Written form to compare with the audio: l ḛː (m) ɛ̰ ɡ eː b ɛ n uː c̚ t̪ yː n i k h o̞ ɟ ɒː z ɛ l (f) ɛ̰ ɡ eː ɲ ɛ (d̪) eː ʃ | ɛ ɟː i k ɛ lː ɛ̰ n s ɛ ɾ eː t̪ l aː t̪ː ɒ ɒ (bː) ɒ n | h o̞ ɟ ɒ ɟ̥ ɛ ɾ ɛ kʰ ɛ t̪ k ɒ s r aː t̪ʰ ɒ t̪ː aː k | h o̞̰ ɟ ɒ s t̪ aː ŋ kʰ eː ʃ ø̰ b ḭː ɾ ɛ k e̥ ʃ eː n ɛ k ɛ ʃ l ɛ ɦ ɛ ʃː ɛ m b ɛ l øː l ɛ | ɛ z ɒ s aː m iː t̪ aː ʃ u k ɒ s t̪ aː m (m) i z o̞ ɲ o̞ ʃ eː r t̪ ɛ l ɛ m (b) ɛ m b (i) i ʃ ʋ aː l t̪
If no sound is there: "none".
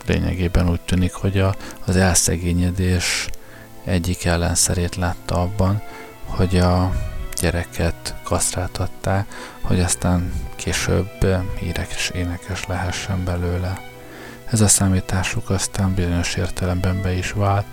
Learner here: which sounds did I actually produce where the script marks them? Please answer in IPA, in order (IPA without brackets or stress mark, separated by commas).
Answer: ɲ, s, d̪, bː, b, b, ɛ